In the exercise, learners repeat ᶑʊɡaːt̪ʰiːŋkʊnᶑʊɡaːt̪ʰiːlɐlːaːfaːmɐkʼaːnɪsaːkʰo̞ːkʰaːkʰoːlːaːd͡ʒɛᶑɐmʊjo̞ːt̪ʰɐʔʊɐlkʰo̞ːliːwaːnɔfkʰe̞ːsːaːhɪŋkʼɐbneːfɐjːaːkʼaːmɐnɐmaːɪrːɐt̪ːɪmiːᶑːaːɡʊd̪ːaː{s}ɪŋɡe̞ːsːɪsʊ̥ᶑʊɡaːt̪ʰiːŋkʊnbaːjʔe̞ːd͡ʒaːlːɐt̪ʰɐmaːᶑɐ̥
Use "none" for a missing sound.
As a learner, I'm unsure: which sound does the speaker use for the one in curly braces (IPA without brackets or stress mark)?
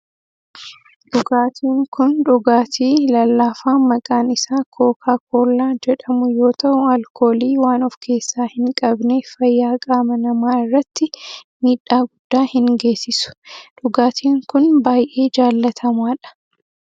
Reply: h